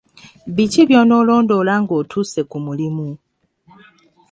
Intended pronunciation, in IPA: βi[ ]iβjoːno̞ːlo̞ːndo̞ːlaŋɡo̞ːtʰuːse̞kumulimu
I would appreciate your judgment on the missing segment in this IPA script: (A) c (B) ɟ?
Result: A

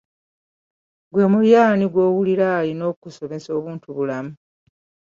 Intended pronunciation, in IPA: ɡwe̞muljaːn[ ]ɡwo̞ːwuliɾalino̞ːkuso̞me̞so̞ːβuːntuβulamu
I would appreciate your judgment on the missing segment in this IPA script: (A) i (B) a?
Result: A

